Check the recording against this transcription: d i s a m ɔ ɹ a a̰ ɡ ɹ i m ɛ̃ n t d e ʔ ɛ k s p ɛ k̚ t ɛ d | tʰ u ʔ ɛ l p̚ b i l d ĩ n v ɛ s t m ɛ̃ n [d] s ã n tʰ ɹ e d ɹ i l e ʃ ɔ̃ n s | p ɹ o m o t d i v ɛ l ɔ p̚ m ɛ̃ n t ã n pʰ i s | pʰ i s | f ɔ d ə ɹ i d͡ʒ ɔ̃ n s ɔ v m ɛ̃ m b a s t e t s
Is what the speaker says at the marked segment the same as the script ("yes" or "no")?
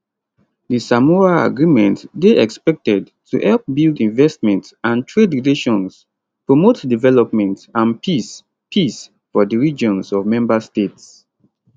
no